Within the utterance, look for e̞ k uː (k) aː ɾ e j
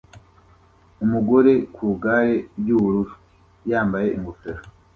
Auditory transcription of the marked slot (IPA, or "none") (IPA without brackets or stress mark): ɡ